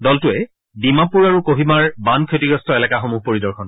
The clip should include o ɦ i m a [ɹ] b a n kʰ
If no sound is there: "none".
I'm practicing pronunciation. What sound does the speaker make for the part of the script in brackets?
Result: ɹ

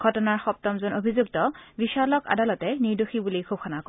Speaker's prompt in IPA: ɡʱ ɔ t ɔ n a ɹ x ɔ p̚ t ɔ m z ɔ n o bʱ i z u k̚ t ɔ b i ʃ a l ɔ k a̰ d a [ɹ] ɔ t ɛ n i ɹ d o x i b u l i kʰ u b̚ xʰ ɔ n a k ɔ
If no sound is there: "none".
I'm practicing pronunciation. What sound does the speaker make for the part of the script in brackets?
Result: l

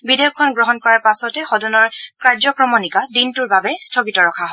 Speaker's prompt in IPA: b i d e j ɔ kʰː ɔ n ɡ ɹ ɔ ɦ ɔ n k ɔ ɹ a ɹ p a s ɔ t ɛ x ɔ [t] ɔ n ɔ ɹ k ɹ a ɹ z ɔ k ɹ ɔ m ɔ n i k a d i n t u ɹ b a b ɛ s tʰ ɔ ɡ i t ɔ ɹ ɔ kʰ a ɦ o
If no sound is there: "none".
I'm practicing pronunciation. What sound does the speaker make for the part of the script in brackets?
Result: d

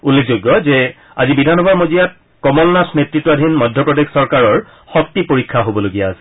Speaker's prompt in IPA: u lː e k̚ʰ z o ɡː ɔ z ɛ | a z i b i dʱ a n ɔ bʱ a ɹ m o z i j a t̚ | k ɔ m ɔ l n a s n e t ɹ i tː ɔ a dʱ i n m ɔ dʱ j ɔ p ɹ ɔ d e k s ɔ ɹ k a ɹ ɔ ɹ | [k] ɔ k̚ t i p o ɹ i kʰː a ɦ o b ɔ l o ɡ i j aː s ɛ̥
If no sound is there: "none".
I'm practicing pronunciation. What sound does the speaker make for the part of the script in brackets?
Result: x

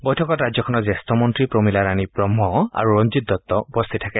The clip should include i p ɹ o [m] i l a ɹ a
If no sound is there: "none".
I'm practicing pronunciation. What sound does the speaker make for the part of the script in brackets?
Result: m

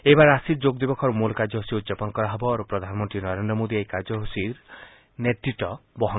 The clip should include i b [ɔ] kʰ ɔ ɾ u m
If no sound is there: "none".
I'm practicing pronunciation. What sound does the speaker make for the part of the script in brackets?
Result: ɔ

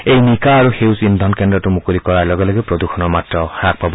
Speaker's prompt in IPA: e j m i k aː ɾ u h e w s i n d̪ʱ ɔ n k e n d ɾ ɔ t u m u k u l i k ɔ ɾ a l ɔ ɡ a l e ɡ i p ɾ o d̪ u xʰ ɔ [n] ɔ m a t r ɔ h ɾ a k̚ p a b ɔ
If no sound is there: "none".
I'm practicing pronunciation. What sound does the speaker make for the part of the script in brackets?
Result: n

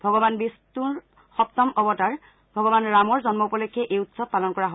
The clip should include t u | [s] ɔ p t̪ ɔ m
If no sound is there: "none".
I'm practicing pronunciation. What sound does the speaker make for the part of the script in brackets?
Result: x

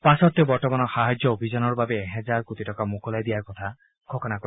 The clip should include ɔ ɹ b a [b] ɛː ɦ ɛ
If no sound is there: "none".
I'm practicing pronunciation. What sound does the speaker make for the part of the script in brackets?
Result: b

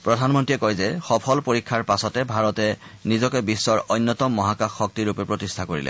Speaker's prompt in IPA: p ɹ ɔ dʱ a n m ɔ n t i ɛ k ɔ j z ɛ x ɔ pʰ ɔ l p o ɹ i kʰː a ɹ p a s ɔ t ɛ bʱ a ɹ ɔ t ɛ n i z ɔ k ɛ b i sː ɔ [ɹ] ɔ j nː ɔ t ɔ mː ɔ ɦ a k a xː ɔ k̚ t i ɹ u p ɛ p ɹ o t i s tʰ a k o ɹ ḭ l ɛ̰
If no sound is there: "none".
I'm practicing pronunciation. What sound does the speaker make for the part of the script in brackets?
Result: ɹ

